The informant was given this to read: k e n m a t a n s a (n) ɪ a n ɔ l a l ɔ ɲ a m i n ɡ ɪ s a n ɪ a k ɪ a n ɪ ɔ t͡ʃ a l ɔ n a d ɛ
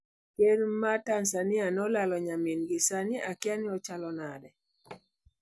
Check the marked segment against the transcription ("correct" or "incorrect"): correct